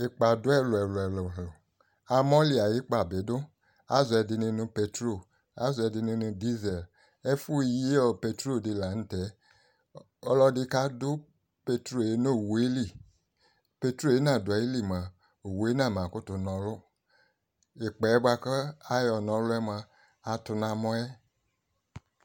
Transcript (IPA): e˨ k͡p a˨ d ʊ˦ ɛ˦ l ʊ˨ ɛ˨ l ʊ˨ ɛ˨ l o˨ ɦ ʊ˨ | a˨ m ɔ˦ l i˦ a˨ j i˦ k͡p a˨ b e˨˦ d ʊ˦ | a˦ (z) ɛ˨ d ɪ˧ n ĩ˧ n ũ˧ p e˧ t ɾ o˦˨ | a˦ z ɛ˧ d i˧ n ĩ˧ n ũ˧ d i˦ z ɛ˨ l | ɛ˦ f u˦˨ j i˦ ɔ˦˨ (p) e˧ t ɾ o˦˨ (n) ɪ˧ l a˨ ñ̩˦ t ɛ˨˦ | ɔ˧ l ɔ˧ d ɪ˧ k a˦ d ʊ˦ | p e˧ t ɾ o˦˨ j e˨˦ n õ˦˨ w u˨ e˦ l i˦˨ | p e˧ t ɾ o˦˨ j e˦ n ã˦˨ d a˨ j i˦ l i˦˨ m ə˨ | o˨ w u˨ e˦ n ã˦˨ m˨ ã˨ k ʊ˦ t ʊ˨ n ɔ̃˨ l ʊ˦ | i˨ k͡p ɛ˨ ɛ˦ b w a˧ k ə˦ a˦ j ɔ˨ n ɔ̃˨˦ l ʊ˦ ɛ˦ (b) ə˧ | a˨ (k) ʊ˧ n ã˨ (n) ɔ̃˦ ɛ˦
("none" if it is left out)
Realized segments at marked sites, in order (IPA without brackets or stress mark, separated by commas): z, p, d, m, t, m